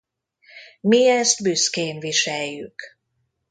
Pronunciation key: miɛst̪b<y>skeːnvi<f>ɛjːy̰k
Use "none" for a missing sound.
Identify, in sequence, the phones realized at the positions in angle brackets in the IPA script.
y, ʃ

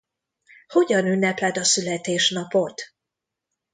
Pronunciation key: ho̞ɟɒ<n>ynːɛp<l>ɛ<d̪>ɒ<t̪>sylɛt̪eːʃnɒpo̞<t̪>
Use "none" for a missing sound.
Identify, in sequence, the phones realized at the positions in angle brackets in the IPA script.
n, l, d̪, none, t̪

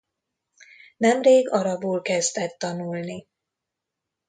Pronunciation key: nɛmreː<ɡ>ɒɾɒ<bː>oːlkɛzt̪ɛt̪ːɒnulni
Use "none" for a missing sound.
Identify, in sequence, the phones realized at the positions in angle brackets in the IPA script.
ɡ, b

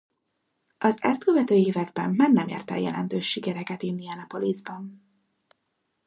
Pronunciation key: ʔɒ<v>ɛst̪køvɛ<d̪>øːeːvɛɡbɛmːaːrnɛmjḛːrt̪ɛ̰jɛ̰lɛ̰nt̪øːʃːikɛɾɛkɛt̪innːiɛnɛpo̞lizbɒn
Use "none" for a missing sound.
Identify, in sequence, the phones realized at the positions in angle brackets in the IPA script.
z, t̪

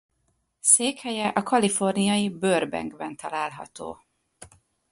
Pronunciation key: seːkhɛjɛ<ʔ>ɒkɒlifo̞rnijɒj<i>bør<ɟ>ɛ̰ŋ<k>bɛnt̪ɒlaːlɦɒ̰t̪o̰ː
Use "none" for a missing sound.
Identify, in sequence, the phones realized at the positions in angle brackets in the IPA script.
ʔ, i, b, ɡ

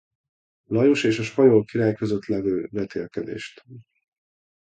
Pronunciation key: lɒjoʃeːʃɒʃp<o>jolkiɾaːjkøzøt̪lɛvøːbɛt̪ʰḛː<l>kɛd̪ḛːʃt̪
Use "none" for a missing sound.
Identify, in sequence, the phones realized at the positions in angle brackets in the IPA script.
ɒ, l

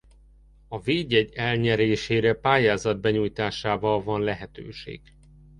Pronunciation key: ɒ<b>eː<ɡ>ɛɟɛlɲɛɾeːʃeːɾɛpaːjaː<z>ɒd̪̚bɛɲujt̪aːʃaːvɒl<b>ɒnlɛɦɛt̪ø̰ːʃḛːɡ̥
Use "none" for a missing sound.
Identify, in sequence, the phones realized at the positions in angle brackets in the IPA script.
v, ɟ, z, v

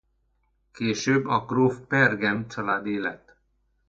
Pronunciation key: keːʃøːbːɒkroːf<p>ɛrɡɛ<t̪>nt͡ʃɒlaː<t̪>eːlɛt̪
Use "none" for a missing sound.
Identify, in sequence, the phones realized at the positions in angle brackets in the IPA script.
p, none, d̪

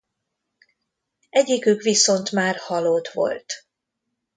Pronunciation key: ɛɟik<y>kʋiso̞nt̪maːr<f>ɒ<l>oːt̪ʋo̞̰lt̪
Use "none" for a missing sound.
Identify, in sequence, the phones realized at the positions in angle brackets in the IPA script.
y, h, l

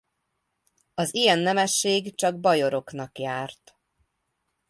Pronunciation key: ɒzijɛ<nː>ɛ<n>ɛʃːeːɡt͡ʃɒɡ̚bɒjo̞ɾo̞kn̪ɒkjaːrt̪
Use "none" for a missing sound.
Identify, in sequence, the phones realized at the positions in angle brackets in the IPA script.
nː, m

